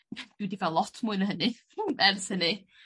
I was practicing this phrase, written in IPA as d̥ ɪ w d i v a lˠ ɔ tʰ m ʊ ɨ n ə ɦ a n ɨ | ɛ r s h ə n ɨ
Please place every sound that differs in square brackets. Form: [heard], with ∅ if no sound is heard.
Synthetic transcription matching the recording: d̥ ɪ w d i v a lˠ ɔ tʰ m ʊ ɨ n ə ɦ [ə] n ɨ | ɛ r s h ə n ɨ